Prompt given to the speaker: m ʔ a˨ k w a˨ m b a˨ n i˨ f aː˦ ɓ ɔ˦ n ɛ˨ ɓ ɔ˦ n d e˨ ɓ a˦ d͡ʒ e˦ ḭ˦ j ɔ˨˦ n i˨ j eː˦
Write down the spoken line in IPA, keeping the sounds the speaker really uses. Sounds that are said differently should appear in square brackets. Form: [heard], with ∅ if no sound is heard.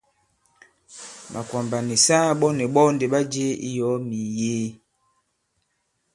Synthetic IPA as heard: m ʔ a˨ k w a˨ m b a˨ n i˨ [s] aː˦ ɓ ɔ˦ n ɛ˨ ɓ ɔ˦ n d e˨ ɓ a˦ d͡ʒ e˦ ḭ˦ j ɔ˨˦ [m] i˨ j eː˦